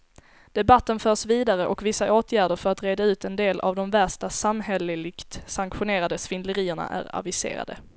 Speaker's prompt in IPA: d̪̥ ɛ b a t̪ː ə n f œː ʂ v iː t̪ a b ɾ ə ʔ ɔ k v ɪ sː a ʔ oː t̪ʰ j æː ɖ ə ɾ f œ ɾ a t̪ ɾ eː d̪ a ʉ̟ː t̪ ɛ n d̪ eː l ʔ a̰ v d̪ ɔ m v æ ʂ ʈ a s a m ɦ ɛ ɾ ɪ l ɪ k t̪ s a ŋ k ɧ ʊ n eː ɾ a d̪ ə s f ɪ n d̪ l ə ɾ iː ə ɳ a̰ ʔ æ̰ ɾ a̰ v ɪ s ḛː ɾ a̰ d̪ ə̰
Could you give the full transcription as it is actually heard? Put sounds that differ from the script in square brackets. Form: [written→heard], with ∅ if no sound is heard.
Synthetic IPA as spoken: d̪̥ ɛ b a t̪ː ə n f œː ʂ v iː [t̪→d̪] a [b→∅] ɾ ə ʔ ɔ k v ɪ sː a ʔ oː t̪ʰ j æː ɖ ə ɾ f œ ɾ a t̪ ɾ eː d̪ a ʉ̟ː t̪ ɛ n d̪ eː l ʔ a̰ v d̪ ɔ m v æ ʂ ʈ a s a m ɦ ɛ [ɾ→l] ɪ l ɪ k t̪ s a ŋ k ɧ ʊ n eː ɾ a d̪ ə s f ɪ n d̪ l ə ɾ iː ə ɳ a̰ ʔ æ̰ ɾ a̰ v ɪ s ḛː ɾ a̰ d̪ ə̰